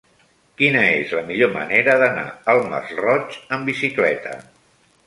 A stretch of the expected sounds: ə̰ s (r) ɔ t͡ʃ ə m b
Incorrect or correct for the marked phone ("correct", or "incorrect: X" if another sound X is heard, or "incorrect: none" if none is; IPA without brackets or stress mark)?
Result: correct